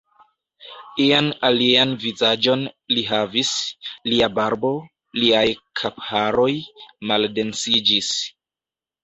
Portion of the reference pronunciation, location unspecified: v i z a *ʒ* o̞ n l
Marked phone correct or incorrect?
incorrect